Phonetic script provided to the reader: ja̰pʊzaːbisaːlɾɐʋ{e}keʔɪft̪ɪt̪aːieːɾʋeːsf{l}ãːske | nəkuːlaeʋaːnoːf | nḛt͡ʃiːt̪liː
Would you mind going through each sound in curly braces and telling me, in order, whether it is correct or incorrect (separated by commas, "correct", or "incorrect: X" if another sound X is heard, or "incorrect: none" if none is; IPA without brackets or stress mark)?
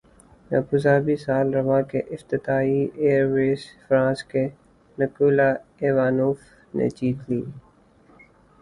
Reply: incorrect: a, incorrect: ɾ